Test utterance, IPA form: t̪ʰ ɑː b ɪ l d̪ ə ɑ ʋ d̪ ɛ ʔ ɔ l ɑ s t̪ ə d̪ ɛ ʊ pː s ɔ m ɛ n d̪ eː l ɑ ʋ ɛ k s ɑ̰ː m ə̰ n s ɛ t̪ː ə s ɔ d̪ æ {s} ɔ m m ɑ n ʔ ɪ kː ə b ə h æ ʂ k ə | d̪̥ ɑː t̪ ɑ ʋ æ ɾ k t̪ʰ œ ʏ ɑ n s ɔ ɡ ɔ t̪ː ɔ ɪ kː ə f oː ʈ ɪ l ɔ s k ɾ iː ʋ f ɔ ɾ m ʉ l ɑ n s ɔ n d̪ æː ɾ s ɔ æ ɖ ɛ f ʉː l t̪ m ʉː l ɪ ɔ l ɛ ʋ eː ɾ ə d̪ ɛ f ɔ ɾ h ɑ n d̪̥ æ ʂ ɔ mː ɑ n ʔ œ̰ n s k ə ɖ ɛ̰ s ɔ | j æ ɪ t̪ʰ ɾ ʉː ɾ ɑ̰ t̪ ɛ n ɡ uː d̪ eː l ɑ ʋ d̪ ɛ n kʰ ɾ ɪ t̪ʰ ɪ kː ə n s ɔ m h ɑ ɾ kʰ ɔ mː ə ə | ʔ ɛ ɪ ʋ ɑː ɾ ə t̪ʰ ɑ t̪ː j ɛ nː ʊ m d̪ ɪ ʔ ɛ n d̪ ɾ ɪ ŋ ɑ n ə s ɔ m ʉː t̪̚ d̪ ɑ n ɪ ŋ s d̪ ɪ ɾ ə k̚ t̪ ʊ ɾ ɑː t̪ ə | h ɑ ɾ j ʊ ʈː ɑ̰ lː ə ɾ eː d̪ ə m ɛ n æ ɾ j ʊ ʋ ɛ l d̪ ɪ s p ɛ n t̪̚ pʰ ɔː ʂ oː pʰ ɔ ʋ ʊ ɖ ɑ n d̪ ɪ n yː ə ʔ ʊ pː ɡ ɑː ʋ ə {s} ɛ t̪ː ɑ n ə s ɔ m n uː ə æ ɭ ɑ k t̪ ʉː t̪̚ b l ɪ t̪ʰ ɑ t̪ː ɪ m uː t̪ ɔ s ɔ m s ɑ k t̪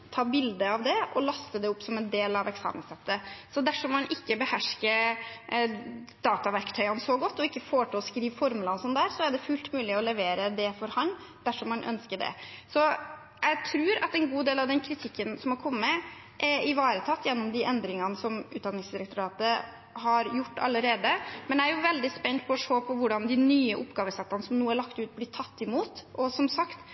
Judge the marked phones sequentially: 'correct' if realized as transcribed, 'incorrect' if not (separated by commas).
incorrect, correct